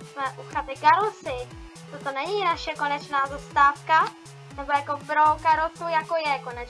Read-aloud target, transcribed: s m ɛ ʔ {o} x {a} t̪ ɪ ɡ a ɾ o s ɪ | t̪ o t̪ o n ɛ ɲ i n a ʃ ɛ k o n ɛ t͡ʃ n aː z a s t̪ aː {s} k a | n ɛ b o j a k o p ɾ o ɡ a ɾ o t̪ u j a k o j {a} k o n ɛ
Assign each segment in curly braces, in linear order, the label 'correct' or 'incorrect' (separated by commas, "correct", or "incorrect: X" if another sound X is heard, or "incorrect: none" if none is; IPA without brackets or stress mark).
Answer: incorrect: u, correct, incorrect: f, incorrect: ɛ